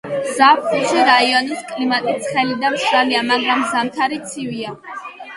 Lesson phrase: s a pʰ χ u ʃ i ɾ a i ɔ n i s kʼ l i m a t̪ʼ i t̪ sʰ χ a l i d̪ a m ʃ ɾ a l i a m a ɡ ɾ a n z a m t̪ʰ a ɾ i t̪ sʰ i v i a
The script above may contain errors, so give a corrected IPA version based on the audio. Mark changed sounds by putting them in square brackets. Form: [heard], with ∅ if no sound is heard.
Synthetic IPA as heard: [z] a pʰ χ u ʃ i ɾ a i ɔ n i s kʼ l i m a t̪ʼ i t̪ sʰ χ [ɛ] l i d̪ a m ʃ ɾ a l i a m a ɡ ɾ a [m] z a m t̪ʰ a ɾ i t̪ sʰ i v i a